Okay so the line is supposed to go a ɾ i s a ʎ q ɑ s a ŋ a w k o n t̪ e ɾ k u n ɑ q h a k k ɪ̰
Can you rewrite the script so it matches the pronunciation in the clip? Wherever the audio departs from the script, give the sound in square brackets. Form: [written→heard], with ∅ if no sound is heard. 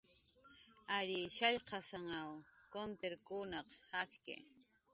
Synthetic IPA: a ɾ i [s→ʃ] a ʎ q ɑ s a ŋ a w k o n t̪ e ɾ k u n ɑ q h a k k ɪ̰